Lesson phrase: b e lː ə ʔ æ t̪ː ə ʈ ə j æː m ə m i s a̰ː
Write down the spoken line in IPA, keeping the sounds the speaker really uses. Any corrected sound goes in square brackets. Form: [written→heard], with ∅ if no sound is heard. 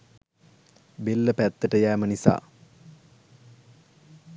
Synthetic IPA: b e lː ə [ʔ→p] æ t̪ː ə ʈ ə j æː m ə [m→n] i s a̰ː